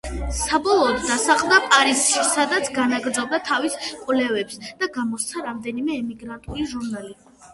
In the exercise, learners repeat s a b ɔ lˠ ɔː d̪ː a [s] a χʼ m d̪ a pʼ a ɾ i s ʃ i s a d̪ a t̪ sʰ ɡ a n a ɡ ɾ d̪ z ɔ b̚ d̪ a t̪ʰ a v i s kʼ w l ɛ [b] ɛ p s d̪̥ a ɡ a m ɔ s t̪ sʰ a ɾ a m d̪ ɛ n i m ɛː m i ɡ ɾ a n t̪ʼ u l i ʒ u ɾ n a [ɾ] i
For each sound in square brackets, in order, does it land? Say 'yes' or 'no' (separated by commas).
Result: yes, no, no